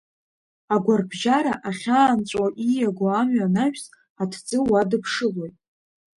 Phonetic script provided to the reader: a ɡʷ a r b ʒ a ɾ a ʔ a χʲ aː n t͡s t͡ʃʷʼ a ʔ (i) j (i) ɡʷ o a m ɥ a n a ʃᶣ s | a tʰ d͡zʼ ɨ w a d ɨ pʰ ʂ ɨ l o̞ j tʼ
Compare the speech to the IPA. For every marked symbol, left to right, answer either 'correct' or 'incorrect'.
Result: correct, incorrect

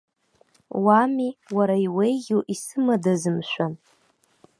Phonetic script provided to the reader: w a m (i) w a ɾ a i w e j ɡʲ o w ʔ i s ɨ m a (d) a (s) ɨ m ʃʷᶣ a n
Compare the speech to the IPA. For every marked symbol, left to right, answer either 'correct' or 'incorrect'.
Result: correct, correct, incorrect

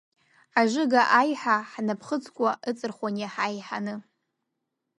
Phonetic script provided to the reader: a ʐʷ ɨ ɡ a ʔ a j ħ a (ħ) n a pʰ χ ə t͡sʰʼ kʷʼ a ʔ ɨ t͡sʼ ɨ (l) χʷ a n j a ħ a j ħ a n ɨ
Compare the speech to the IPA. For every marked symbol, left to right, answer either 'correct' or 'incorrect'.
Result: correct, incorrect

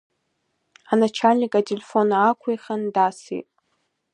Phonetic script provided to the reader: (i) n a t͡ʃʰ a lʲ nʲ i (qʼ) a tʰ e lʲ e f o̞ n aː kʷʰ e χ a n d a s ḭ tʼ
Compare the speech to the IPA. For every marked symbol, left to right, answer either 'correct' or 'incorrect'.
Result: incorrect, incorrect

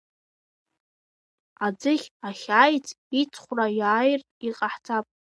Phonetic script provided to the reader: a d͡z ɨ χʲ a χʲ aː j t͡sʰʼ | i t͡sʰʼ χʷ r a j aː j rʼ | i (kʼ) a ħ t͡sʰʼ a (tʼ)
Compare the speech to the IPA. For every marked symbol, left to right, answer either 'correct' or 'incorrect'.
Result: incorrect, incorrect

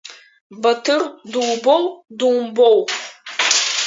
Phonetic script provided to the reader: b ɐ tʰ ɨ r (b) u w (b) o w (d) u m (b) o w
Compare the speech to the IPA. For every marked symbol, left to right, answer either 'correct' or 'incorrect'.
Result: incorrect, correct, correct, correct

